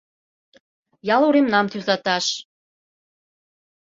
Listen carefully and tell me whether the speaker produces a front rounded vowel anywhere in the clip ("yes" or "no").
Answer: yes